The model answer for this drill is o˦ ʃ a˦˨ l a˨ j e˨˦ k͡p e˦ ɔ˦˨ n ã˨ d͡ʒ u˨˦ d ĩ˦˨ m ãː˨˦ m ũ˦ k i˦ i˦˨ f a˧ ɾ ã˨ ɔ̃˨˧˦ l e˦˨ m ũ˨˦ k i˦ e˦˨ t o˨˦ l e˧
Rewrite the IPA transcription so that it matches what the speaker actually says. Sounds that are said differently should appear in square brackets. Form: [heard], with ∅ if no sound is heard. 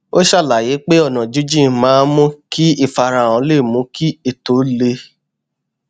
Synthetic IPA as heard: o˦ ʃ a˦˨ l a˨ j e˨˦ k͡p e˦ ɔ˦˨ n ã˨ d͡ʒ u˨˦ [d͡ʒ] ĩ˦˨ m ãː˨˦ m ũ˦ k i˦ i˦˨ f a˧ ɾ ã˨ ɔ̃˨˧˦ l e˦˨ m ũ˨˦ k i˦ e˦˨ t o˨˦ l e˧

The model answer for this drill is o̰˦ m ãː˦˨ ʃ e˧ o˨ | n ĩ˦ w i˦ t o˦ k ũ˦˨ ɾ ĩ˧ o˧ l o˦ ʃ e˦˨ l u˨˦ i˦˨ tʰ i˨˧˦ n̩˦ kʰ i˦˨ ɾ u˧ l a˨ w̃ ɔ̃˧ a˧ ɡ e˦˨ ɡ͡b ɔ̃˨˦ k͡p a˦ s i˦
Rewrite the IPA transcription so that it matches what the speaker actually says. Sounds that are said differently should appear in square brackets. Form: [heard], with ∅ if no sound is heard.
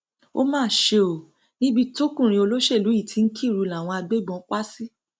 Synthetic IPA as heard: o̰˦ m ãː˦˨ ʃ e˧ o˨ | n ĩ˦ [b] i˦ t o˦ k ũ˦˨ ɾ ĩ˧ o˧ l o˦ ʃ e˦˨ l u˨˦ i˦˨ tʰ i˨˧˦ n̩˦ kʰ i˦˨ ɾ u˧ l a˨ w̃ ɔ̃˧ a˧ [ɡ͡b] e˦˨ ɡ͡b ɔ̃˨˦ k͡p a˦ s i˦

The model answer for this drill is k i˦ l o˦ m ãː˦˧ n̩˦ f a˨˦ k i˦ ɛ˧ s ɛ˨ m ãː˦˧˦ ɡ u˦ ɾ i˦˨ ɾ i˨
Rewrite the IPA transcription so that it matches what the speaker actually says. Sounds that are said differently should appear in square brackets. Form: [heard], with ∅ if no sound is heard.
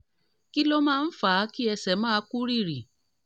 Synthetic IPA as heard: k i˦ l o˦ m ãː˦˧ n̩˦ f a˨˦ k i˦ ɛ˧ s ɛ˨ m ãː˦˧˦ [k] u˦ ɾ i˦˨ ɾ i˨

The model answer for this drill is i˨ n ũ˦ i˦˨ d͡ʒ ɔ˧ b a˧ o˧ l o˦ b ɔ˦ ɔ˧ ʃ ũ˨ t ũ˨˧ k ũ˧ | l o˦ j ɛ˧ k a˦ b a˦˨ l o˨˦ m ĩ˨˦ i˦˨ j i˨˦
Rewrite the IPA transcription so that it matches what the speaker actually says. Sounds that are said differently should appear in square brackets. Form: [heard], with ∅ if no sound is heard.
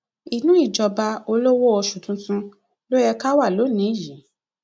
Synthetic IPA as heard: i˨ n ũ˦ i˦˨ d͡ʒ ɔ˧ b a˧ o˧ l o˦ [w] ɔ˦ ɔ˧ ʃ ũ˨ t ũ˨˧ [t] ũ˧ | l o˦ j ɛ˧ k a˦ [w] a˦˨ l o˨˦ [n] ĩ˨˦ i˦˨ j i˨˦

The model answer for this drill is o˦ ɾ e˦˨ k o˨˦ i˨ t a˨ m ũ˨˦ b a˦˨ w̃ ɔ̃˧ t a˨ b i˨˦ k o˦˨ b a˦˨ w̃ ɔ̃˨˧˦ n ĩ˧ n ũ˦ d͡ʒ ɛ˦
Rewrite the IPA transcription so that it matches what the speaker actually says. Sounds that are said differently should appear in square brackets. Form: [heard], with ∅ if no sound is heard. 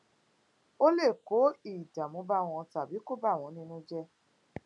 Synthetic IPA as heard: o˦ [l] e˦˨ k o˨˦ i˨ [d] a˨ m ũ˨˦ b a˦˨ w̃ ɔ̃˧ t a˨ b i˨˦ k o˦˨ b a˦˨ w̃ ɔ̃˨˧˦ n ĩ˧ n ũ˦ d͡ʒ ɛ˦

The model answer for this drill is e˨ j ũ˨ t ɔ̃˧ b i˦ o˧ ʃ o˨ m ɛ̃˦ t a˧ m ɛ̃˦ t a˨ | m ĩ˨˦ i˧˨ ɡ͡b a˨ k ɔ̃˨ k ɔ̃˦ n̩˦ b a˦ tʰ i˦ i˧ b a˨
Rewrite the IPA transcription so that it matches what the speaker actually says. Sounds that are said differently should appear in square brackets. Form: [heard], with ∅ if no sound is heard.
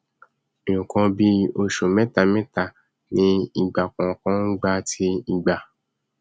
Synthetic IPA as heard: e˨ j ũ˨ [k] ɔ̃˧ b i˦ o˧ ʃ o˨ m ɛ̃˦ t a˧ m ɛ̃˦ t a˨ | [n] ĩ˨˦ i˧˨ ɡ͡b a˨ k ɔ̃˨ k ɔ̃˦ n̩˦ [ɡ͡b] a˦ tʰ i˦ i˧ [ɡ͡b] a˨

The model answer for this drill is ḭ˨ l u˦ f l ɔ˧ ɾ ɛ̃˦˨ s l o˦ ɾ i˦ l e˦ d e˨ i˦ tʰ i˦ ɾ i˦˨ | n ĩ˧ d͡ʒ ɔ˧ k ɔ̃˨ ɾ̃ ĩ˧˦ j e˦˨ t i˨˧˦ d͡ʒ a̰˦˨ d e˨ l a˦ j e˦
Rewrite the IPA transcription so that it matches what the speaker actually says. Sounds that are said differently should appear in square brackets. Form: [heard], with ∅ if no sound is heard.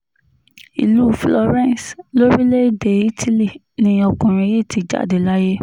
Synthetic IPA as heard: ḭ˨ l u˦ f l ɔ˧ ɾ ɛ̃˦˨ s l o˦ ɾ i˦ l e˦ d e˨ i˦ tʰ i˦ [l] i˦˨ | n ĩ˧ [∅] ɔ˧ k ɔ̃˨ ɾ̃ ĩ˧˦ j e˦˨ t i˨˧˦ d͡ʒ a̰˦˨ d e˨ l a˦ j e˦

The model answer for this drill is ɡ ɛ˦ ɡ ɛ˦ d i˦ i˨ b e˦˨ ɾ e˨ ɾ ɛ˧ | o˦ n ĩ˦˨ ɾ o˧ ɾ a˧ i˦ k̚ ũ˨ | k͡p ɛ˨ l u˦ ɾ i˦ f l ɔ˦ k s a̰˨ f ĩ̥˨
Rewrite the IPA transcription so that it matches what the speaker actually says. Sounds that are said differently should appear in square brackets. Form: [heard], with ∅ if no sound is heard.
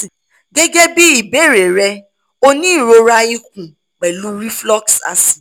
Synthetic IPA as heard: ɡ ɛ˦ ɡ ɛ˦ [b] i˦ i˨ b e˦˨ ɾ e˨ ɾ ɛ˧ | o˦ n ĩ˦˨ ɾ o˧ ɾ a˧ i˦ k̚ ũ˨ | k͡p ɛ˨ l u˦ ɾ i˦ f l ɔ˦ k s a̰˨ [s] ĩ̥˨

